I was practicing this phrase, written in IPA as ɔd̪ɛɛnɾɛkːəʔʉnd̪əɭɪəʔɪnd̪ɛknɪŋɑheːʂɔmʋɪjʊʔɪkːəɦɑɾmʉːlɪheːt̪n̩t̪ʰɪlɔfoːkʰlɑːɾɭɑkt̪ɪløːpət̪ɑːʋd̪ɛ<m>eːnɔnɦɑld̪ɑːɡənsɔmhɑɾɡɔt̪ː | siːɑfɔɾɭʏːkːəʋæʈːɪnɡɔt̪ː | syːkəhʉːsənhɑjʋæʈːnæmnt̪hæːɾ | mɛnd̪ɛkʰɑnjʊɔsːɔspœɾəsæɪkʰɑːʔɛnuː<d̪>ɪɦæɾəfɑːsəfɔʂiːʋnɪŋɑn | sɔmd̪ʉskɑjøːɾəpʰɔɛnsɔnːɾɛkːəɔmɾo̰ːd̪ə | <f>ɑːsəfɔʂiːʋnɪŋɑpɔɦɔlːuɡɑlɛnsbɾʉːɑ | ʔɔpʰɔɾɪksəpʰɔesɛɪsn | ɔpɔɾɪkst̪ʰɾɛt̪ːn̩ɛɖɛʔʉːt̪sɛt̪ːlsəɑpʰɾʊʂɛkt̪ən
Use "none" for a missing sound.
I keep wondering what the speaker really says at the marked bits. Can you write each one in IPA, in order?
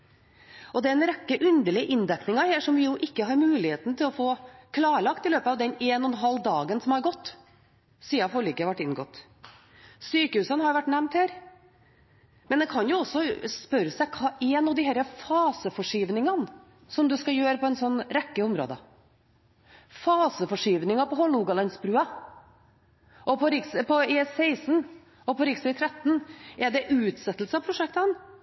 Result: n, d̪, f

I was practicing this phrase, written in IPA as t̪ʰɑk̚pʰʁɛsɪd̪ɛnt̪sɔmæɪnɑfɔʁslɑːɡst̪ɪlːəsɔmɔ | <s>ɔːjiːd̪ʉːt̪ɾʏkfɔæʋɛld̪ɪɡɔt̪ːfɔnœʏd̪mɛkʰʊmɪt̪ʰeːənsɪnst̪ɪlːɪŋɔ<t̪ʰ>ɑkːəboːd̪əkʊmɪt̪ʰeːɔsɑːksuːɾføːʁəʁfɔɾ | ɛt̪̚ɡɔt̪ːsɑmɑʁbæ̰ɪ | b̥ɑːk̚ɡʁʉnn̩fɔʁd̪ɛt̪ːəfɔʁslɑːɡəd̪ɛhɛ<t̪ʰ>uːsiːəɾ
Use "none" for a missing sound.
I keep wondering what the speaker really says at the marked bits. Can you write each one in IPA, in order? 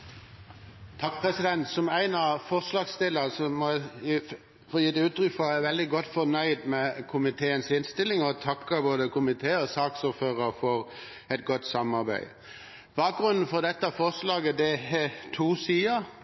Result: f, t̪ʰ, t̪ʰ

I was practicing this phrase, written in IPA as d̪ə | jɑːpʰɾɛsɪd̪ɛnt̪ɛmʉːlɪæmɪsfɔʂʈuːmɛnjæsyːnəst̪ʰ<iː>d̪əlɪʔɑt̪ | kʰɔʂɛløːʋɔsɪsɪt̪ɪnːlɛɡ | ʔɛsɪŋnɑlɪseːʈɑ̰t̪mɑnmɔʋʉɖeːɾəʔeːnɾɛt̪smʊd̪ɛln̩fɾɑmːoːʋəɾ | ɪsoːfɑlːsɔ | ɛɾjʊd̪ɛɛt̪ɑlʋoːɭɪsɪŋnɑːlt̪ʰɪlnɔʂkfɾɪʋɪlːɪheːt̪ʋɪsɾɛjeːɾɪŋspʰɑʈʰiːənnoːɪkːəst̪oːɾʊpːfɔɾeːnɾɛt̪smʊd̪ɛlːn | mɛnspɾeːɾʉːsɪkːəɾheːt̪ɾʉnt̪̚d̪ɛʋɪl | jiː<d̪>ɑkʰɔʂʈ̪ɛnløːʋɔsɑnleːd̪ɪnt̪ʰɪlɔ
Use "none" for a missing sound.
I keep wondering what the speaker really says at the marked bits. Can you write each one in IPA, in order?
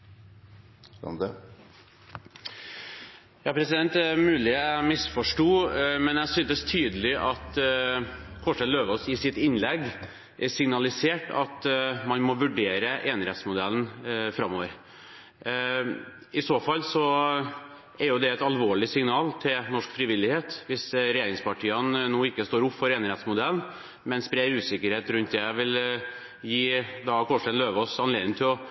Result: yː, d̪

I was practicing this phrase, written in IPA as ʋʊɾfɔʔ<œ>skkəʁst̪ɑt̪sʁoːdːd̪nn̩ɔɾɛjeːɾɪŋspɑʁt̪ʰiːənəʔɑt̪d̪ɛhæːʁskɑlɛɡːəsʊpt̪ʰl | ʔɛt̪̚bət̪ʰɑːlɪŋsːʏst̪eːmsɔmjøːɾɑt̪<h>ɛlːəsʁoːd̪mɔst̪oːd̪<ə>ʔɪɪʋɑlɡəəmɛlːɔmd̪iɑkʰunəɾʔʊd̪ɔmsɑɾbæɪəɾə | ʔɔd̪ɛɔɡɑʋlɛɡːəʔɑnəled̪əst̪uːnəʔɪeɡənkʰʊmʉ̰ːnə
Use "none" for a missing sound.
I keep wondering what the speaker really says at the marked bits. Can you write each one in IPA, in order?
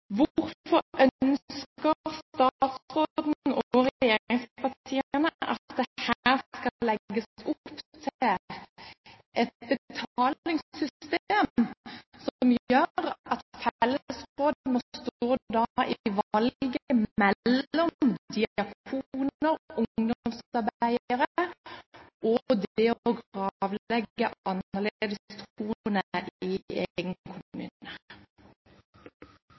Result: œ, f, ɑ

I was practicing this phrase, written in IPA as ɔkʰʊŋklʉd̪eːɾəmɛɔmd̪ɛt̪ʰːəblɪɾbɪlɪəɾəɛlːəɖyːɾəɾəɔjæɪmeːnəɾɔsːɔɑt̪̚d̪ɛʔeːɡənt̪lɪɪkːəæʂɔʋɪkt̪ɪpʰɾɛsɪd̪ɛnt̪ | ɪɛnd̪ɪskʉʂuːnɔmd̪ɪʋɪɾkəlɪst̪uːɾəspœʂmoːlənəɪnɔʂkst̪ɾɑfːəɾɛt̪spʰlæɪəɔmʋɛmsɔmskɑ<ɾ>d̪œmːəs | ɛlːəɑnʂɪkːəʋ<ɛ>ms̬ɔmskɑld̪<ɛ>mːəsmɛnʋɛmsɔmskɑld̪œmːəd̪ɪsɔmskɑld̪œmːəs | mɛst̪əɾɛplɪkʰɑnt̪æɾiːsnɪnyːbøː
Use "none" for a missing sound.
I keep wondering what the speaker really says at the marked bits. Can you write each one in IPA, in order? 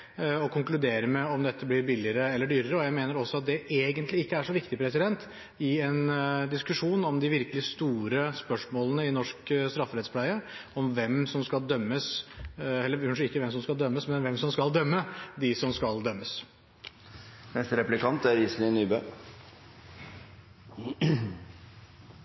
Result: l, ɛ, œ

